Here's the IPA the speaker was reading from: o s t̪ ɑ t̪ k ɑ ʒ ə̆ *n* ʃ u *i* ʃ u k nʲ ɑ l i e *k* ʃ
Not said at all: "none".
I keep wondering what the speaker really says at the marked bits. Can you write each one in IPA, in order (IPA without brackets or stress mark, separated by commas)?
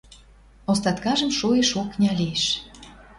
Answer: m, e, none